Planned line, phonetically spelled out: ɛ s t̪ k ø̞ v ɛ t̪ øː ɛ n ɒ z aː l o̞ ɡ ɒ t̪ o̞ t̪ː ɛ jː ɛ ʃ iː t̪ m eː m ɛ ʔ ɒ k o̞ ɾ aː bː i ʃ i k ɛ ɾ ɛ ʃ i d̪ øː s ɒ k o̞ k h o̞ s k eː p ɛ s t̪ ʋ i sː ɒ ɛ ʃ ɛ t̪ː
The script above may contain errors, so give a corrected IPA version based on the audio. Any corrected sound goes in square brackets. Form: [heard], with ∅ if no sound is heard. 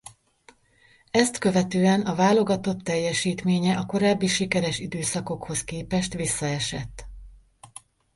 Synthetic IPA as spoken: ɛ s t̪ k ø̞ v ɛ t̪ øː ɛ n ɒ [v] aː l o̞ ɡ ɒ t̪ o̞ t̪ː ɛ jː ɛ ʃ iː t̪ m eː [ɲ] ɛ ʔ ɒ k o̞ ɾ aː bː i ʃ i k ɛ ɾ ɛ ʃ i d̪ øː s ɒ k o̞ k h o̞ s k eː p ɛ [ʃ] t̪ ʋ i sː ɒ ɛ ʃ ɛ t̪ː